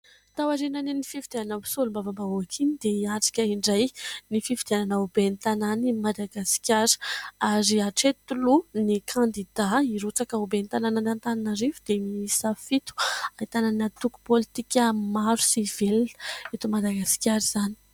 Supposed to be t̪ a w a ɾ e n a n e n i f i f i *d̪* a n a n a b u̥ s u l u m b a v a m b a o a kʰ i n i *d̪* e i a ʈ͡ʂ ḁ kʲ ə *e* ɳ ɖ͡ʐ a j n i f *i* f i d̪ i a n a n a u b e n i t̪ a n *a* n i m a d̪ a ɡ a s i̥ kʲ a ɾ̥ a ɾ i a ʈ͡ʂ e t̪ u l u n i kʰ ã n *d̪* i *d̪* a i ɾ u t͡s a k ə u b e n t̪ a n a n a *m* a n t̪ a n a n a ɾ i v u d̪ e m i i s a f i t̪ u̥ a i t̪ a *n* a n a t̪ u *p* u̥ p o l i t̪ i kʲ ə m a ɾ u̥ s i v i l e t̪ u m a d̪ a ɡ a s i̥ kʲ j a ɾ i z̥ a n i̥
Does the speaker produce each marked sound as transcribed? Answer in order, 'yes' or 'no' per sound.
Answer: yes, yes, no, yes, yes, yes, yes, no, yes, no

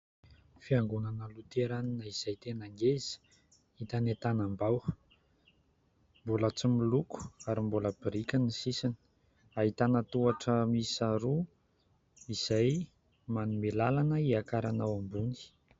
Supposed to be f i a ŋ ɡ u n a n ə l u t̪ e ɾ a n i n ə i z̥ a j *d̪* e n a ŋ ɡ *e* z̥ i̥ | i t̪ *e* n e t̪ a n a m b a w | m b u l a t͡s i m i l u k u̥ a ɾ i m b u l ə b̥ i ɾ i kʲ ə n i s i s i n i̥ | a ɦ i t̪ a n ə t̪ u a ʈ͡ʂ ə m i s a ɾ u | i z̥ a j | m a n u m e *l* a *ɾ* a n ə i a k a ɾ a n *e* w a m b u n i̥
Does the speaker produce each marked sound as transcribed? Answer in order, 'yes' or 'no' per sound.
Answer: no, yes, no, yes, no, no

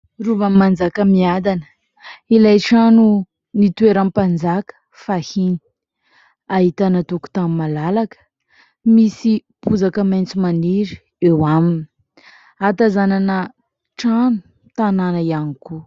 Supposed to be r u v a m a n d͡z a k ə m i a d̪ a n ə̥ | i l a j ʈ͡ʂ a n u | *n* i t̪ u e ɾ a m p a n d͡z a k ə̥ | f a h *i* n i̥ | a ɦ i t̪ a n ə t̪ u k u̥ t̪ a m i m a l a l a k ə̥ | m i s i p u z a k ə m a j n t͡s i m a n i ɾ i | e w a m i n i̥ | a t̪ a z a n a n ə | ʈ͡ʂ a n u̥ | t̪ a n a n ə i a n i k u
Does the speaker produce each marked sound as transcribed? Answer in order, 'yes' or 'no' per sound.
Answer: yes, yes

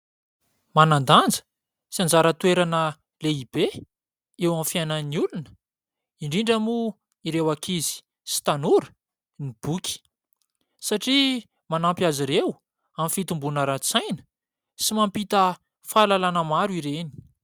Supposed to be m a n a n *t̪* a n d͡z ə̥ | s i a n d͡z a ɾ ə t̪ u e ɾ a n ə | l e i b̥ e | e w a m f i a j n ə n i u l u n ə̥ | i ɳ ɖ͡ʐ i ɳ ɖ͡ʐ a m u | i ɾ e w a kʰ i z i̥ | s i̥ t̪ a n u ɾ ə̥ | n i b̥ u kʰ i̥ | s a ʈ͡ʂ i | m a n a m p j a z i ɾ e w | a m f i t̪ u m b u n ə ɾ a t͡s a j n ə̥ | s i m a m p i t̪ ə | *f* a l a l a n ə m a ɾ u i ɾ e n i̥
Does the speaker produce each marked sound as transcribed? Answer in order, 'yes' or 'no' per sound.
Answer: no, yes

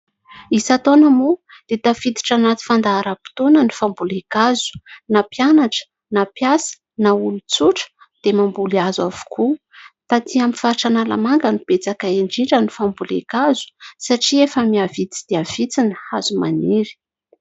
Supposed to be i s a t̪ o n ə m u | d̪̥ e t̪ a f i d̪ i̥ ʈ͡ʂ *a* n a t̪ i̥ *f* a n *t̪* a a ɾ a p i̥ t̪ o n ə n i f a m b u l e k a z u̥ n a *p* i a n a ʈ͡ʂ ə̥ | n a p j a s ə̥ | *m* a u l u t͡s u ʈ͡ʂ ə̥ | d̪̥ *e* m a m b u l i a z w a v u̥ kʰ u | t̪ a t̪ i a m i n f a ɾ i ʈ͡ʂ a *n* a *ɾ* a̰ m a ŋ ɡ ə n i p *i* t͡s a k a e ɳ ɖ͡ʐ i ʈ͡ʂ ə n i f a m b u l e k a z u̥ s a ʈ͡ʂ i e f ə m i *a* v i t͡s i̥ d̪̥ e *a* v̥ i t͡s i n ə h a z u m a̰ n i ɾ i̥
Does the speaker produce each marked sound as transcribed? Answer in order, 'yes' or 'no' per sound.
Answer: yes, yes, no, yes, no, yes, yes, no, no, yes, yes

